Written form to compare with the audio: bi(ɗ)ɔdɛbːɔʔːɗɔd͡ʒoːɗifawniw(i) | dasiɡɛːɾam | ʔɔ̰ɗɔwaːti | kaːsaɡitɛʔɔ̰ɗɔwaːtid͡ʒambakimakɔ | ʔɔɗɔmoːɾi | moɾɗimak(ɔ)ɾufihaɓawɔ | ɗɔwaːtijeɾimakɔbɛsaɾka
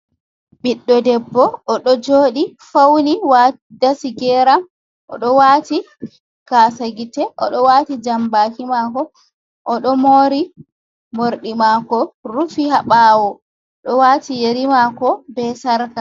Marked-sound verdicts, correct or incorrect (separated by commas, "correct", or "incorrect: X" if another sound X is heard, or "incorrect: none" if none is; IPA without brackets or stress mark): incorrect: ɗː, incorrect: a, correct